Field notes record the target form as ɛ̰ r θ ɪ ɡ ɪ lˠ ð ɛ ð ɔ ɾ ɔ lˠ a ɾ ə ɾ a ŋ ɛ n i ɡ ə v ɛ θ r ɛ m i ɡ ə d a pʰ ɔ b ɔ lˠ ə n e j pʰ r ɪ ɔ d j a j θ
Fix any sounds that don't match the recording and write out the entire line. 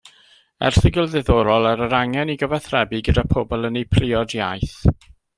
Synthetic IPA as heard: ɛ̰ r θ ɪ ɡ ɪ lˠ ð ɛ ð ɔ ɾ ɔ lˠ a ɾ ə ɾ a ŋ ɛ n i ɡ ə v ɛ θ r ɛ b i ɡ ə d a pʰ ɔ b ɔ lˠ ə n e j pʰ r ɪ ɔ d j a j θ